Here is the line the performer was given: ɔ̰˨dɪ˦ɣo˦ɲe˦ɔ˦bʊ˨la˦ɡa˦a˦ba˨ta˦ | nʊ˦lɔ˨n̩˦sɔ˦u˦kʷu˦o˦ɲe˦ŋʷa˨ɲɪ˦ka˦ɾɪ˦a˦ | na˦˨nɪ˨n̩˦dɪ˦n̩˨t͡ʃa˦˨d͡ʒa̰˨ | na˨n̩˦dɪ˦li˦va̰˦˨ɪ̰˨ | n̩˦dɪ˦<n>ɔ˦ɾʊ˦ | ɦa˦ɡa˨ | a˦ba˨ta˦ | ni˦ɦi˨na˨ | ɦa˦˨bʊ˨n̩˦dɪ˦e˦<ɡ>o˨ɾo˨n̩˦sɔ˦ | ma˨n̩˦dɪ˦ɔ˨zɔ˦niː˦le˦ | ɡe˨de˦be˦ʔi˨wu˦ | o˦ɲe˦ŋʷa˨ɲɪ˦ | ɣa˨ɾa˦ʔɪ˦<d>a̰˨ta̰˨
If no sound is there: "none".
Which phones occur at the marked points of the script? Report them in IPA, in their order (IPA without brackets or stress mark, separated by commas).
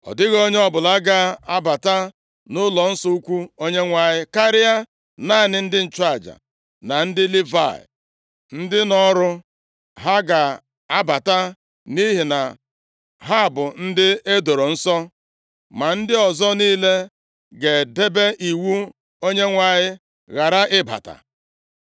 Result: n, d, b